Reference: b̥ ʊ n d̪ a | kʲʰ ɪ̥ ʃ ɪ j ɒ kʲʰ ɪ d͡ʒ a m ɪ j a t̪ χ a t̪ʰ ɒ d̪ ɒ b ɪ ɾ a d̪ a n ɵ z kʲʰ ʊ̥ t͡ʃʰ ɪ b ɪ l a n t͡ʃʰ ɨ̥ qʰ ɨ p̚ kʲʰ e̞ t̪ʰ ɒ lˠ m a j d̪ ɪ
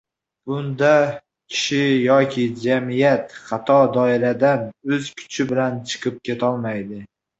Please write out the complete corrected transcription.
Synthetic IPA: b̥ ʊ n d̪ a | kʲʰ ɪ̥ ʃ ɪ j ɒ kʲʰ ɪ d͡ʒ a m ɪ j a t̪ χ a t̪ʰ ɒ d̪ ɒ ɪ ɾ a d̪ a n ɵ z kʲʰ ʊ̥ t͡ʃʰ ɪ b ɪ l a n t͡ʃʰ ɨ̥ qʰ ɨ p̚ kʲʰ e̞ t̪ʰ ɒ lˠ m a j d̪ ɪ